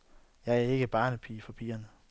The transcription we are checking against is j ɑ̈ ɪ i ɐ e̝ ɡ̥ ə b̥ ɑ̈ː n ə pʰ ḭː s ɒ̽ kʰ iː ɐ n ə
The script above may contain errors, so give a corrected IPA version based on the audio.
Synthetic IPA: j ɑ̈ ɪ æ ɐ e̝ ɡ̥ ə b̥ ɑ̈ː n ə pʰ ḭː f ɒ̽ pʰ iː ɐ n ə